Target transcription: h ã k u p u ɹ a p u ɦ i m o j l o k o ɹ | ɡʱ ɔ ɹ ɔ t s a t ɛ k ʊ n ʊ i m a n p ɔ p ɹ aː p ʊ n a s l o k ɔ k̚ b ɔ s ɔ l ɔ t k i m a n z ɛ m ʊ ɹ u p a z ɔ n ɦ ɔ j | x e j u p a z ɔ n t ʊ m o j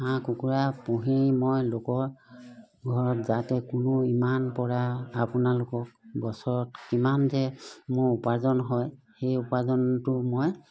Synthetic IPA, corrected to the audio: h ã k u k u ɹ a p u ɦ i m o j l o k ɔ ɹ | ɡʱ ɔ ɹ ɔ t z a t ɛ k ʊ n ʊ i m a n p ɔ ɹ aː p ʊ n a l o k ɔ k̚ b ɔ s ɔ ɹ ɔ t k i m a n z ɛ m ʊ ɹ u p a z ɔ n ɦ ɔ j | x e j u p a z ɔ n t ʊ m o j